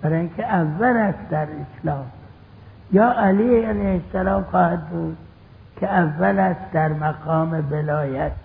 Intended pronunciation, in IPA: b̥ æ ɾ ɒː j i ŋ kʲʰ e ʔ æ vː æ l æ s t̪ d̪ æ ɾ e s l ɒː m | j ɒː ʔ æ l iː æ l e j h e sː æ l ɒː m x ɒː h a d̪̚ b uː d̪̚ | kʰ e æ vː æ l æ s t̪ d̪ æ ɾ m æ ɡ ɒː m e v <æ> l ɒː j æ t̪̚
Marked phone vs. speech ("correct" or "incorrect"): incorrect